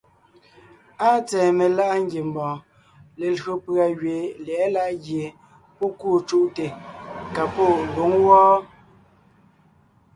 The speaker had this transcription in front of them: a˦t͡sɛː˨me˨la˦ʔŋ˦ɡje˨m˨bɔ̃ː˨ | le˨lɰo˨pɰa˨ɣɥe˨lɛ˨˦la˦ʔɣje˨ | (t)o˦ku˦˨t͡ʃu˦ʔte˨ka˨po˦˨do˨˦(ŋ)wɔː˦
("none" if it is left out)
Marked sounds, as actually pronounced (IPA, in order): p, ŋ

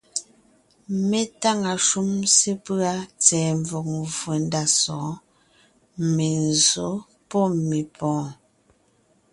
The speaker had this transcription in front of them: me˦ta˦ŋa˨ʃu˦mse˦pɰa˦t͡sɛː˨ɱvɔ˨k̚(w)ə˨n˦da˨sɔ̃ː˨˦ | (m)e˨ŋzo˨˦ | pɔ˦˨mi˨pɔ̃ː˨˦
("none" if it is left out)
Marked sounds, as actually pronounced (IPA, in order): v, m

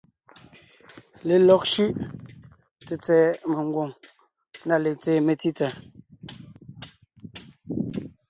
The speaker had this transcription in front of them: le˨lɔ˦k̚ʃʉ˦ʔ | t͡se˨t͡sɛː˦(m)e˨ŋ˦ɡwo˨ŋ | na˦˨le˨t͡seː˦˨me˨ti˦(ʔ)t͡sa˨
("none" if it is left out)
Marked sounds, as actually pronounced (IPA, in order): m, none

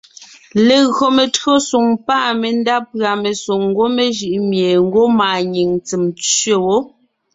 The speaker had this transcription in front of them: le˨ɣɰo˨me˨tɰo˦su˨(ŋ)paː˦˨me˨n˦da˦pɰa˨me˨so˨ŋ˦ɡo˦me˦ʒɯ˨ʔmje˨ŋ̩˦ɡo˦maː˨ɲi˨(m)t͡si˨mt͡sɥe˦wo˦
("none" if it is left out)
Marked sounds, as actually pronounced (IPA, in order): ŋ, ŋ

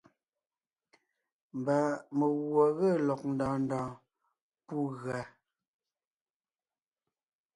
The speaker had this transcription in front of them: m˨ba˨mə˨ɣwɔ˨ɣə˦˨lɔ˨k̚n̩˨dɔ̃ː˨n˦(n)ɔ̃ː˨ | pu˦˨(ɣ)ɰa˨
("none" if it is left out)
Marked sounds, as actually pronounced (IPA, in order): d, ɣ

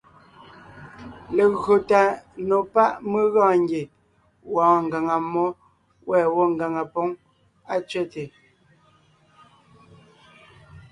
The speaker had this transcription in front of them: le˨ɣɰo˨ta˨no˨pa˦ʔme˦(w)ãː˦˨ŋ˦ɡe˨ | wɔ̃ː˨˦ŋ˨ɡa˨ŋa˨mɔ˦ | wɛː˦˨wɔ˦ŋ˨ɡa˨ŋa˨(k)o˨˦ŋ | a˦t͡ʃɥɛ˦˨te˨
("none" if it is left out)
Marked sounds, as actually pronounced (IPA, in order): ɣ, p

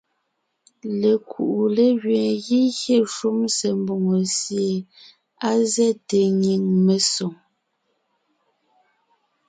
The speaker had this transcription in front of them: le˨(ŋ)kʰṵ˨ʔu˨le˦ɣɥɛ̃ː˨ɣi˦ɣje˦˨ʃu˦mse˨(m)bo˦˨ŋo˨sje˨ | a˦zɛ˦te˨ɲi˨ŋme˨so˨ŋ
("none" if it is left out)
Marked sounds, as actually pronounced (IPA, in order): none, m

